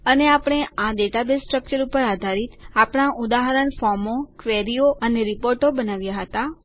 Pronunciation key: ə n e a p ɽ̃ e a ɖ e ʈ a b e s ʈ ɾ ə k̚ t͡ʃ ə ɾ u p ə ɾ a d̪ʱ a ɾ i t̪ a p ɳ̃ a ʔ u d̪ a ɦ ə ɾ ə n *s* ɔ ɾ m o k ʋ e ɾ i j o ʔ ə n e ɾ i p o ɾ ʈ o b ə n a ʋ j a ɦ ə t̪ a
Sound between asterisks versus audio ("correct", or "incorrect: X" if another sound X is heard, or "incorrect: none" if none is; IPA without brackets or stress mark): incorrect: f